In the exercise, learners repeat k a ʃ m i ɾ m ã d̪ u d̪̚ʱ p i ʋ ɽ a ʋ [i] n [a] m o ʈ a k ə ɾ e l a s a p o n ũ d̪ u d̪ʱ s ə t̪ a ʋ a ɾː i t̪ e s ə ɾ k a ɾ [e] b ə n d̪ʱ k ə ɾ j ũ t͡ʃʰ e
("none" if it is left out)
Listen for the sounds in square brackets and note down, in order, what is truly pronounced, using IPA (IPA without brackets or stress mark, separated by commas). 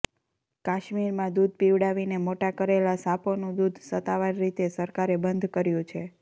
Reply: i, e, e